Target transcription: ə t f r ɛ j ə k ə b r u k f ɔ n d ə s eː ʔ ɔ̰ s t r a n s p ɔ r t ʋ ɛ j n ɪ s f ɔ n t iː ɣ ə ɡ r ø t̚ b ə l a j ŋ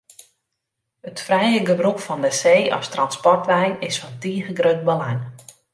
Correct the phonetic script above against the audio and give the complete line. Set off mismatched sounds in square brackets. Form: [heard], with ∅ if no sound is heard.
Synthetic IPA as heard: ə t f r ɛ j ə [ɡ] ə b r u k f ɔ n d ə s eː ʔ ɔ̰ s t r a n s p ɔ r t ʋ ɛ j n ɪ s f ɔ n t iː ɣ ə ɡ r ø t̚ b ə l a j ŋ